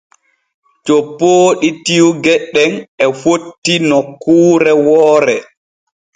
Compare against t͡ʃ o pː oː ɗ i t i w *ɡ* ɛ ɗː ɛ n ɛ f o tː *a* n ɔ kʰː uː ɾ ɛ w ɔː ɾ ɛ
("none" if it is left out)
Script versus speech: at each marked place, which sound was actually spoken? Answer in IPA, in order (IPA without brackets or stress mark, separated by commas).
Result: ɡ, i